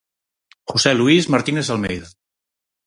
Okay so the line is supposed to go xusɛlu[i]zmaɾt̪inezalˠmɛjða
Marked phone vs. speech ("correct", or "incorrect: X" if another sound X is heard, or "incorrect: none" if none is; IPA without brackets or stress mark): correct